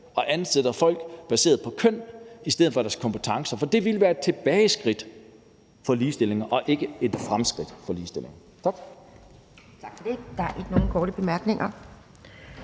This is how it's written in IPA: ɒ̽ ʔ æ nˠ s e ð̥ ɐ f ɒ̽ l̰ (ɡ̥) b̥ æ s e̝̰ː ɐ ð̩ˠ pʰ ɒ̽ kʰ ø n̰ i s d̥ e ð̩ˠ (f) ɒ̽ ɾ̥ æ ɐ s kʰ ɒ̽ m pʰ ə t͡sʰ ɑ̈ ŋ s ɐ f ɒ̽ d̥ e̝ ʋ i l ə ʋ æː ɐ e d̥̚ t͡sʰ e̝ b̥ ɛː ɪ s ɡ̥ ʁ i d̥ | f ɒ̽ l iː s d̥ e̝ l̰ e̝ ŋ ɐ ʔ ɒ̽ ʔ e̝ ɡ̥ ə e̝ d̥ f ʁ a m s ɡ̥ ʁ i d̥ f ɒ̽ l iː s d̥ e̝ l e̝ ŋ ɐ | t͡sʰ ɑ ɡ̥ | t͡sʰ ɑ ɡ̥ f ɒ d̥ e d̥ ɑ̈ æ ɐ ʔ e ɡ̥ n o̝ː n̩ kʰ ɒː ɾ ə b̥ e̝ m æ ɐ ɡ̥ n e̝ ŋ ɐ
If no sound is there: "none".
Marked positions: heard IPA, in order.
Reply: ɡ̥, f

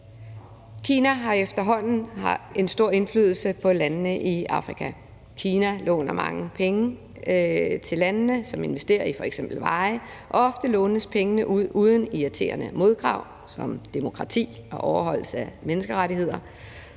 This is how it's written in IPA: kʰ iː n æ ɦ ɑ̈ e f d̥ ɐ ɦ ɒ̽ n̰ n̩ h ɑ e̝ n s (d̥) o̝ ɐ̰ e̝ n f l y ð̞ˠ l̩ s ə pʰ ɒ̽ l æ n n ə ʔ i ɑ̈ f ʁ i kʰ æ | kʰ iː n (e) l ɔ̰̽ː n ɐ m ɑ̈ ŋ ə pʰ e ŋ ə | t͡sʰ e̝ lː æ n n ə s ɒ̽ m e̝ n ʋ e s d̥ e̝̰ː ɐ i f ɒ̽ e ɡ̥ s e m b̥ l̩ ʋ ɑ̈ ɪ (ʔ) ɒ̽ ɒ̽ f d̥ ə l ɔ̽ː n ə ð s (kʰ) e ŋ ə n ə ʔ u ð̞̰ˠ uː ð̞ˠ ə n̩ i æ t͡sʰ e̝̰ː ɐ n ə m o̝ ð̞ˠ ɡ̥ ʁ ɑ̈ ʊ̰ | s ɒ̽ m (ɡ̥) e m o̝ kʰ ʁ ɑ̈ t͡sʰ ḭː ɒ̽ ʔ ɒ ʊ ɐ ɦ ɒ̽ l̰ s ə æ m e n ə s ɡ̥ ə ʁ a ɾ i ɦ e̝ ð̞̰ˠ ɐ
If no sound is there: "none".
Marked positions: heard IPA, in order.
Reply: d̥, æ, ʔ, pʰ, d̥

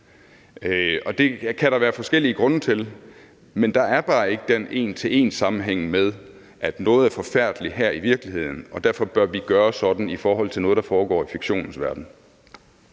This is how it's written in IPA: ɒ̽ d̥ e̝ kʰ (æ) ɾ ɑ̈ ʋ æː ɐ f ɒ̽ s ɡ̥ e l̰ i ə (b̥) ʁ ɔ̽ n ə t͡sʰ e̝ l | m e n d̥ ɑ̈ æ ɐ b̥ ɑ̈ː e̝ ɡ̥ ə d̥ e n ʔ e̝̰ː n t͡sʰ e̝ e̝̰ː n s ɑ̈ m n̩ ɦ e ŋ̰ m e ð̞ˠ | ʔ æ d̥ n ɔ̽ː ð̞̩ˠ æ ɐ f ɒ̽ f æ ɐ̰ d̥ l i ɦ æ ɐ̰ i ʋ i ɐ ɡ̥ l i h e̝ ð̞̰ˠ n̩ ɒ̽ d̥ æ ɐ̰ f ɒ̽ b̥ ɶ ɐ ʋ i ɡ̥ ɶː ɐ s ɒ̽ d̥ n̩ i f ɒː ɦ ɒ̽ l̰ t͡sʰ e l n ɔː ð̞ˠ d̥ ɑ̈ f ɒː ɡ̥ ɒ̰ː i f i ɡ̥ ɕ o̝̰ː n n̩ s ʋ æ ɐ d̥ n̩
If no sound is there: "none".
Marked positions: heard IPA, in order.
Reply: æ, ɡ̥

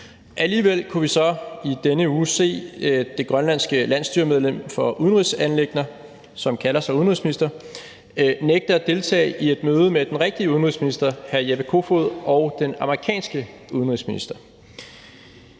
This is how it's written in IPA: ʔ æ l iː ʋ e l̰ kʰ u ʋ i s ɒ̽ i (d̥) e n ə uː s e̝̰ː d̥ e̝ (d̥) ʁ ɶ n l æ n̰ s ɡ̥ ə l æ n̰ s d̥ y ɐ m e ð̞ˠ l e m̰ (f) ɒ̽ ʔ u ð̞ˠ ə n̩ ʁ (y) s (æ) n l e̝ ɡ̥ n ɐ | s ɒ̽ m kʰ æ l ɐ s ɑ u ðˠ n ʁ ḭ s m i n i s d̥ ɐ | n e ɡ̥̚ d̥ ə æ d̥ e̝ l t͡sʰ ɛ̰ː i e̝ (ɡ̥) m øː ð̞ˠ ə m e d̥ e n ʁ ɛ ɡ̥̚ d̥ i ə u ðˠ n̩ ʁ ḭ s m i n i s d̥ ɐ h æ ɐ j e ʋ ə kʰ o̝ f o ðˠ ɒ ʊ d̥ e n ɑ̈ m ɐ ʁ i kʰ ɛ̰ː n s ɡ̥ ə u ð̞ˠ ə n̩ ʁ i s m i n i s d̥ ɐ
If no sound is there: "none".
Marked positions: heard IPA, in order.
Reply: d̥, ɡ̥, f, i, æ, d̥

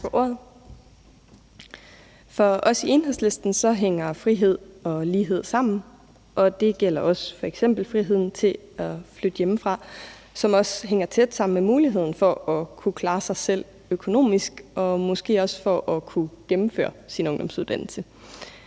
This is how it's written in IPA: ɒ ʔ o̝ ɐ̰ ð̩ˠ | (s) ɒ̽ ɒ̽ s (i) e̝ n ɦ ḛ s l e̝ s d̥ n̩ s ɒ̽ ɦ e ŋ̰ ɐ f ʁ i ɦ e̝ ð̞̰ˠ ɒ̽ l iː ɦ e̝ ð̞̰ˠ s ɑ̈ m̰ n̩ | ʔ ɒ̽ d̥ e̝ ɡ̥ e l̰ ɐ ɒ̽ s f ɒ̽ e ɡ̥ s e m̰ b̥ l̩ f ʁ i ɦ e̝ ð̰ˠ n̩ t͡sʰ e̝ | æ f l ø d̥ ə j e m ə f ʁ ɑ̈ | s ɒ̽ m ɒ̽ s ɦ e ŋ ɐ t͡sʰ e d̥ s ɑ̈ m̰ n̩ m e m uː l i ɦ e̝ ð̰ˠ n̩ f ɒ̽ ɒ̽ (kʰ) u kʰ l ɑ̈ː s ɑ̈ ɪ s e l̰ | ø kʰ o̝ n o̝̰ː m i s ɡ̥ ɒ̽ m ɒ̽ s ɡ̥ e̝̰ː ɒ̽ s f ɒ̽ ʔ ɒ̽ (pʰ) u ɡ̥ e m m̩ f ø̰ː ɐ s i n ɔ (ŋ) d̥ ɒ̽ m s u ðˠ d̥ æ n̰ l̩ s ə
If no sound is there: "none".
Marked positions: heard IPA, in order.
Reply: f, i, kʰ, kʰ, ŋ

